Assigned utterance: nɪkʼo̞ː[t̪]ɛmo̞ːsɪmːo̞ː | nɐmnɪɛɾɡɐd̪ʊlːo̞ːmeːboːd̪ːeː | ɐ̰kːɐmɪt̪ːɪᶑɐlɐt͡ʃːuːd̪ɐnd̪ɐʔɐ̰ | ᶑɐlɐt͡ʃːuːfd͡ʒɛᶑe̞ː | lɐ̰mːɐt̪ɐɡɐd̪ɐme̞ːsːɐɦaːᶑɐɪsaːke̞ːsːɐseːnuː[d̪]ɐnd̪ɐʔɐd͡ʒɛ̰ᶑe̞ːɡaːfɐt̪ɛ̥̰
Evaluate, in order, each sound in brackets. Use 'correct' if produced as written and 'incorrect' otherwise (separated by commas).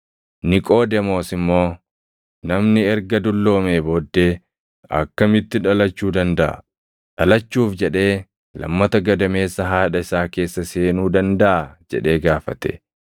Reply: incorrect, correct